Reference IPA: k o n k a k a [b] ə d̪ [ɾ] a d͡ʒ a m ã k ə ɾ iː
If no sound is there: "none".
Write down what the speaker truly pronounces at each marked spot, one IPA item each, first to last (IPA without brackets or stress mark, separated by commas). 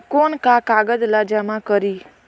ɡ, l